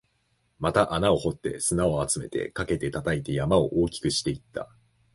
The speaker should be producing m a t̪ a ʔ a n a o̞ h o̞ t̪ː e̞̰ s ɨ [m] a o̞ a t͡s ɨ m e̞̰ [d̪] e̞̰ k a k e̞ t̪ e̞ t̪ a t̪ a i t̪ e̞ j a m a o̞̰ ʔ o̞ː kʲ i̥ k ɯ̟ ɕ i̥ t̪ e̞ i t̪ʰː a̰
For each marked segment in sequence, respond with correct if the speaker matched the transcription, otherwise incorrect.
incorrect: n, incorrect: t̪

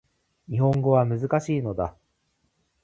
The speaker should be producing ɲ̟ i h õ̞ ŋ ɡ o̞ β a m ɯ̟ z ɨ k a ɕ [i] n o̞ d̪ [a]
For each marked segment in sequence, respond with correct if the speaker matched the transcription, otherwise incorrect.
incorrect: iː, correct

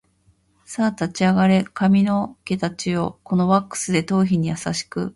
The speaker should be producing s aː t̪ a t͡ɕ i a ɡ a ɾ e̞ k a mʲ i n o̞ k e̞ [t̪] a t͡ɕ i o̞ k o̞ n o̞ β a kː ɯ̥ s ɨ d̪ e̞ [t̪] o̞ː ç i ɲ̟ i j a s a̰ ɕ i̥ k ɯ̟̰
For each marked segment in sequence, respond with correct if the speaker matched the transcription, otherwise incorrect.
correct, correct

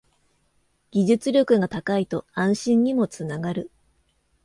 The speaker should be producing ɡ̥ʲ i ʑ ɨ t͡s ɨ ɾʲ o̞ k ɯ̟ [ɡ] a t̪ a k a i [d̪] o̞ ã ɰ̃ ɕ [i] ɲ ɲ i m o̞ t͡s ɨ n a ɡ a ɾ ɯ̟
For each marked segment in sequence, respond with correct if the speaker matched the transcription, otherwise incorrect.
correct, incorrect: t̪, incorrect: ĩ

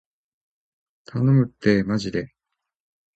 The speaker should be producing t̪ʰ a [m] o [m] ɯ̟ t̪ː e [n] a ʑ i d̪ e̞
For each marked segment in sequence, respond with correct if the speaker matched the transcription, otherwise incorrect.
incorrect: n, correct, incorrect: m

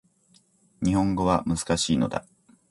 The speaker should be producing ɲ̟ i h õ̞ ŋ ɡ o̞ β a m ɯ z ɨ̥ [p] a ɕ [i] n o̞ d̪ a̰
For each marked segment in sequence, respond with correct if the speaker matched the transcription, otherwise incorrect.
incorrect: k, incorrect: iː

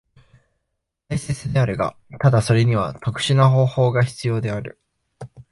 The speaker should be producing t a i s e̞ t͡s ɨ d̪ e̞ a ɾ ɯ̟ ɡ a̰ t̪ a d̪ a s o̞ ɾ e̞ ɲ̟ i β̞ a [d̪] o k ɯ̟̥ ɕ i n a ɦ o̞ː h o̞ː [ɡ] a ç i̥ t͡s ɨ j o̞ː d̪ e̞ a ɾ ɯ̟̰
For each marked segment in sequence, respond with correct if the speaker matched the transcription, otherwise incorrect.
incorrect: t̪, correct

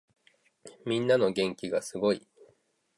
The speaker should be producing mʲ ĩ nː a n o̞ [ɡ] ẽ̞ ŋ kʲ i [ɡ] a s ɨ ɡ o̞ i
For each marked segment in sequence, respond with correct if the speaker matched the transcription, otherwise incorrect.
correct, correct

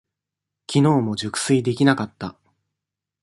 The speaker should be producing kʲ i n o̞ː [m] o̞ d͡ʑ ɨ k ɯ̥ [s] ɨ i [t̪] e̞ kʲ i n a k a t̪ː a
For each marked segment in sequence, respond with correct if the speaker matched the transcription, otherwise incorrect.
correct, correct, incorrect: d̪

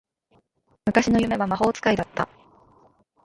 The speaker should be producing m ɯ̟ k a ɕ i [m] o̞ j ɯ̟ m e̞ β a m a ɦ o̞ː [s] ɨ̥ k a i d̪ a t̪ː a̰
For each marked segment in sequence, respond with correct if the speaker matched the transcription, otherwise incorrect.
incorrect: n, incorrect: t͡s

